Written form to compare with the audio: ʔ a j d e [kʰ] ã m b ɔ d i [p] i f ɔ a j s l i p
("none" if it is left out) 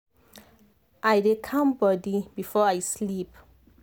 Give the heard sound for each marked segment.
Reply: kʰ, b

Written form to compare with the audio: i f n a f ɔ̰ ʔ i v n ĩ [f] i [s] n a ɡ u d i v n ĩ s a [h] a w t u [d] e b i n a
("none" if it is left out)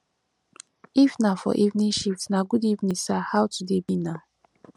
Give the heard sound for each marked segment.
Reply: ʃ, t, h, d

